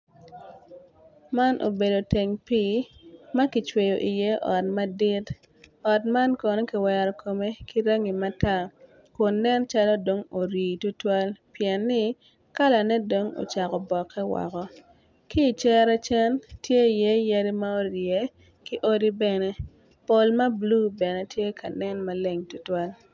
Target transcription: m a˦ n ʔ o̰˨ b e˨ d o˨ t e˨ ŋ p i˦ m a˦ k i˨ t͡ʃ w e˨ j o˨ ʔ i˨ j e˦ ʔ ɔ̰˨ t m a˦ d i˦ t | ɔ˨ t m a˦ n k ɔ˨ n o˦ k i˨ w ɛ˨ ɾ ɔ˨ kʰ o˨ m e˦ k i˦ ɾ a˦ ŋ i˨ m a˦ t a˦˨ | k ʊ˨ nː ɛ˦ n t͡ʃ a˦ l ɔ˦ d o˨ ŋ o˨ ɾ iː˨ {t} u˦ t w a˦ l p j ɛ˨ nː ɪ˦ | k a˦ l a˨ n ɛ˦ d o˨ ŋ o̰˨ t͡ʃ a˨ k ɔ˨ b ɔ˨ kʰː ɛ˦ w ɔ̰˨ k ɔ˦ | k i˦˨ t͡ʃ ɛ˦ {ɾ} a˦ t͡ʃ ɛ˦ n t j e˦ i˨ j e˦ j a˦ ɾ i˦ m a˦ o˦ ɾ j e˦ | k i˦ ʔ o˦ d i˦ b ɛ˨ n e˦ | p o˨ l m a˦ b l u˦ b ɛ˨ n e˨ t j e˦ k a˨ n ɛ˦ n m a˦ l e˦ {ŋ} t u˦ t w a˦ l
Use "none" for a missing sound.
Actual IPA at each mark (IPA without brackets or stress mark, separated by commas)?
t, ɾ, ŋ